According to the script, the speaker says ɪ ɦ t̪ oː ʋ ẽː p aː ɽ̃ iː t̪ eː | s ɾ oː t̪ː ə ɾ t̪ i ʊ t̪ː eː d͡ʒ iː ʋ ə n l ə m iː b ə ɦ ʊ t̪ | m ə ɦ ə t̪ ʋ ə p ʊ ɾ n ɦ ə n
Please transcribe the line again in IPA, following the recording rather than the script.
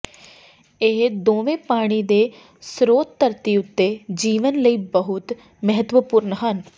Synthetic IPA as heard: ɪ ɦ d̪ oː ʋ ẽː p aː ɽ̃ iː d̪ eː | s ɾ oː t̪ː ə ɾ t̪ i ʊ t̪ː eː d͡ʒ iː ʋ ə n l ə iː b ə ɦ ʊ t̪ | m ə ɦ ə t̪ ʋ ə p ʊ ɾ n ɦ ə n